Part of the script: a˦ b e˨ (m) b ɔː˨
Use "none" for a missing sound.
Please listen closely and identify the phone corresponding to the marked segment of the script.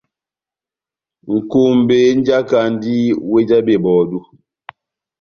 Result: none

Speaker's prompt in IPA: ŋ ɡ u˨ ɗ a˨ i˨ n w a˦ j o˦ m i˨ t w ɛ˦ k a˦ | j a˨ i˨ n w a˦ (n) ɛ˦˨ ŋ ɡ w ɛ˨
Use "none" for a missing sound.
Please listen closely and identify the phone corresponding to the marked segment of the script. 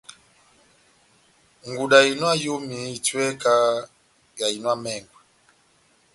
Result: m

